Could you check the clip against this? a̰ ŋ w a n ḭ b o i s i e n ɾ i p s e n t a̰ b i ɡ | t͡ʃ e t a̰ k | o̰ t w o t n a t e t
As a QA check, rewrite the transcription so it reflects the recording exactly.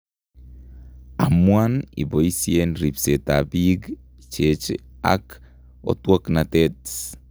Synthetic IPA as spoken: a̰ m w a n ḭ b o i s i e n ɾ i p s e t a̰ b i ɡ | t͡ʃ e t͡ʃ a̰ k | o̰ t w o k n a t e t

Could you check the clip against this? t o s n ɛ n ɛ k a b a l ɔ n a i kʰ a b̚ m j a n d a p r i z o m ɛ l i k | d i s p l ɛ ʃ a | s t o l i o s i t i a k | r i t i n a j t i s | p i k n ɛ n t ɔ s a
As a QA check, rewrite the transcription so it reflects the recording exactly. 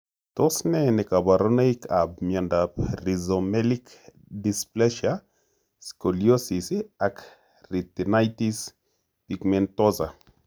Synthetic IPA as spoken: t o s n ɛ n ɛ k a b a ɾ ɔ n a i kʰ a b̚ m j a n d a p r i z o m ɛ l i k | d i s p l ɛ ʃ a | s k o l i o s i s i a k | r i t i n a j t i s | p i k m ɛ n t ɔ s a

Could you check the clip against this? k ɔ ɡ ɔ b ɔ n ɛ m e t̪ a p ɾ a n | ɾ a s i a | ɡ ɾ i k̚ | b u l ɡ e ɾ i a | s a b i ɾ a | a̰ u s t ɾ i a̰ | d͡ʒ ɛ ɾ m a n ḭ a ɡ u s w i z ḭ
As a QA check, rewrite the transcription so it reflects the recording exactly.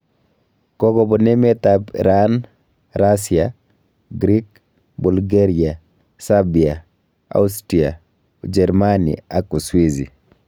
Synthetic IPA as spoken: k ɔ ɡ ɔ b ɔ n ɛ m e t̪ a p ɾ a n | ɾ a s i a | ɡ ɾ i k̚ | b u l ɡ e ɾ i a | s a b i a | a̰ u s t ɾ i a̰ | d͡ʒ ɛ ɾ m a n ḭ a k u s w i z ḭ

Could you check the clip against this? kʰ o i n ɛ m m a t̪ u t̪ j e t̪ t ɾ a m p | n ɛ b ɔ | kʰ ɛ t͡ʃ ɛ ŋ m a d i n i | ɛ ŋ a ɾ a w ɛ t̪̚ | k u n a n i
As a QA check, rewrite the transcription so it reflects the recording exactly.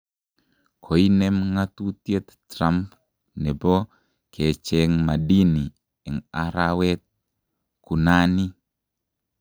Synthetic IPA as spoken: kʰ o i n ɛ m ŋ a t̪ u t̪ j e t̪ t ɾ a m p | n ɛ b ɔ | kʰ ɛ t͡ʃ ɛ ŋ m a d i n i | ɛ ŋ a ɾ a w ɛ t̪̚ | k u n a n i

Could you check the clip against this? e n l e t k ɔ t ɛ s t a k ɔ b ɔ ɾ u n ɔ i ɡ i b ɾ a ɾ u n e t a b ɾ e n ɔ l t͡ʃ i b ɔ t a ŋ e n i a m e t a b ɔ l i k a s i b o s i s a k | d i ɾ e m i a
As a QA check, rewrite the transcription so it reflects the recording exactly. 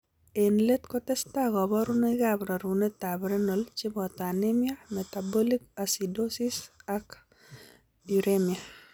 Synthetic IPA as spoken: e n l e t k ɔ t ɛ s t a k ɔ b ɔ ɾ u n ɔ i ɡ a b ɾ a ɾ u n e t a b ɾ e n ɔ l t͡ʃ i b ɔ t a n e m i a m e t a b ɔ l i k a s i d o s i s a k | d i ɾ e m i a

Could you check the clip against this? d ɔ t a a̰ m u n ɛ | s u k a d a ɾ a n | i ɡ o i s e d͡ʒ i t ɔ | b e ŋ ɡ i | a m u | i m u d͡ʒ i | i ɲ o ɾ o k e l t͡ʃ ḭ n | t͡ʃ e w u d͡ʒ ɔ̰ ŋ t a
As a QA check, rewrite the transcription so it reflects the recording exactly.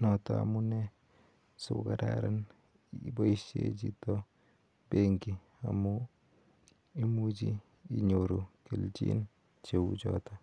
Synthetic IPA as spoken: n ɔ t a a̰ m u n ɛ | s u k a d a ɾ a n | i b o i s e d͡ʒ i t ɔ | b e ŋ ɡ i | a m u | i m u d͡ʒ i | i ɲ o ɾ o k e l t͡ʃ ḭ n | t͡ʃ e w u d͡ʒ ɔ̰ t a

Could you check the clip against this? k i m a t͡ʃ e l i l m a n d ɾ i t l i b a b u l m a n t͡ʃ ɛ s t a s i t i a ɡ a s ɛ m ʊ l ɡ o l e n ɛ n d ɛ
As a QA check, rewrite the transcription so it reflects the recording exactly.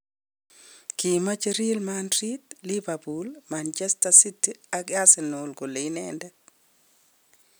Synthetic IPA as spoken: k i m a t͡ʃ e ɾ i l m a n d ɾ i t l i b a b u l m a n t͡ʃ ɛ s t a s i t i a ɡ a s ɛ n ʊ l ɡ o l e n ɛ n d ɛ

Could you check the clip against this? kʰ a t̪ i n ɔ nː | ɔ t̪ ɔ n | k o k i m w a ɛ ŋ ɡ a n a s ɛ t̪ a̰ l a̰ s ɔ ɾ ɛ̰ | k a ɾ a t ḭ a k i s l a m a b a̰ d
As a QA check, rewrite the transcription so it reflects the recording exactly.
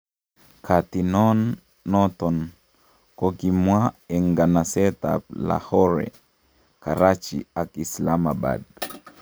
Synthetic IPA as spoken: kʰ a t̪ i n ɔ nː | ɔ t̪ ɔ n | k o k i m w a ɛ ŋ ɡ a n a s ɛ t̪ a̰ l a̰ h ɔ ɾ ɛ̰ | k a ɾ a t͡ʃ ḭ a k i s l a m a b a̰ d

